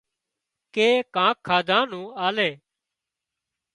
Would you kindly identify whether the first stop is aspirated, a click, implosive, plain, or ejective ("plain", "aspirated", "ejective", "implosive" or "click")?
plain